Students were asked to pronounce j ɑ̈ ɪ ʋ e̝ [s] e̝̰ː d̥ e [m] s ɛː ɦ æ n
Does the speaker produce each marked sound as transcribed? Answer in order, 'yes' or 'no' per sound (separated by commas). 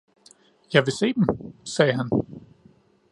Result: yes, yes